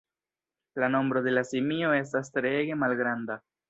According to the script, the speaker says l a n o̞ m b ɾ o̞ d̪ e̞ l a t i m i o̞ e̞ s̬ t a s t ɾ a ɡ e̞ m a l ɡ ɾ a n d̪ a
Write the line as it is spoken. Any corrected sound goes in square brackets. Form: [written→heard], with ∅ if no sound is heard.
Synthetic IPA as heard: l a n o̞ m b ɾ o̞ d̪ e̞ l a [t→s] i m i o̞ e̞ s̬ t a s t ɾ [a→e] ɡ e̞ m a l ɡ ɾ a n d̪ a